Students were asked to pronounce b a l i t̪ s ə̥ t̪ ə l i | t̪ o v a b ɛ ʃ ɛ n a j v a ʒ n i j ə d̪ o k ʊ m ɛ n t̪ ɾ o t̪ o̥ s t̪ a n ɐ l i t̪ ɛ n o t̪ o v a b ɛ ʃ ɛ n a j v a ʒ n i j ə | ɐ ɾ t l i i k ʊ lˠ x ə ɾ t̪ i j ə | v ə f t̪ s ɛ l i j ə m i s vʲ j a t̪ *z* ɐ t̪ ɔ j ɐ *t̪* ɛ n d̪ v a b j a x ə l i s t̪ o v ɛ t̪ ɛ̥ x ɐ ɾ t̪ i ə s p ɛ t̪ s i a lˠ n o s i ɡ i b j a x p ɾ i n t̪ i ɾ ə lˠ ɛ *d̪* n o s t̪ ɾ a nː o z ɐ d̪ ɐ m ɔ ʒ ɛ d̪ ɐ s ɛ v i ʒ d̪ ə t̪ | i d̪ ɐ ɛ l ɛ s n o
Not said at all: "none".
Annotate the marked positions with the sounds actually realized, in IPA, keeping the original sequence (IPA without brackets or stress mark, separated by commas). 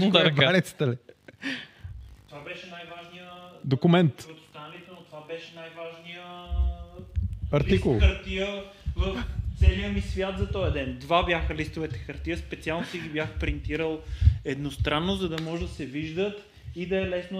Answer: z, d̪, d̪